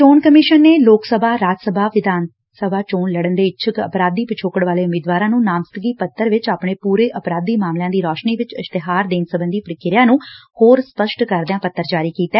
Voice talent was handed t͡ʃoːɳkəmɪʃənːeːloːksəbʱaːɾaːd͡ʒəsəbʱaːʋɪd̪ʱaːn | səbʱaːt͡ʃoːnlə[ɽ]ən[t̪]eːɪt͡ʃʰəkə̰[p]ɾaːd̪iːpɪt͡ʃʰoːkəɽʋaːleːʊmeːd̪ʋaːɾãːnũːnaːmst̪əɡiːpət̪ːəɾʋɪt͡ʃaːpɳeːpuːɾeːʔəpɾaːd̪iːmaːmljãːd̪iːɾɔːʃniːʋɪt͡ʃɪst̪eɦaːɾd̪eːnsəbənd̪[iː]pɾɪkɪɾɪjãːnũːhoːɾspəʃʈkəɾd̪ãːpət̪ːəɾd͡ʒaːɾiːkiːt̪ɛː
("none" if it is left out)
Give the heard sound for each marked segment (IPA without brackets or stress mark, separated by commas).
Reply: ɽ, d̪, p, iː